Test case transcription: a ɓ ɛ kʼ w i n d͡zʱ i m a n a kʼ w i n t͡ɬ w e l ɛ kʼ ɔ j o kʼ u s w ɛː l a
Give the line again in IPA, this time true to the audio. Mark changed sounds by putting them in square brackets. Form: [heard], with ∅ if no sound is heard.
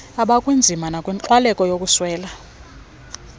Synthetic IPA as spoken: a ɓ [a] kʼ w i n d͡zʱ i m a n a kʼ w i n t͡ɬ w [a] l ɛ kʼ ɔ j o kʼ u s w ɛː l a